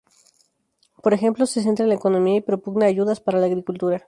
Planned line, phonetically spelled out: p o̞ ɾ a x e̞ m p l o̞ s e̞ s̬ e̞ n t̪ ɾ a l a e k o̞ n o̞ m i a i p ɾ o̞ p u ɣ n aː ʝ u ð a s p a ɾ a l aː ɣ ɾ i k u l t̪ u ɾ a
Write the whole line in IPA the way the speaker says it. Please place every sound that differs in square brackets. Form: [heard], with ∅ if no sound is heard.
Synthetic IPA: p o̞ ɾ [e] x e̞ m p l o̞ s e̞ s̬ e̞ n t̪ ɾ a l a e k o̞ n o̞ m i a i p ɾ o̞ p u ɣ n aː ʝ u ð a s p a ɾ a l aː ɣ ɾ i k u l t̪ u ɾ a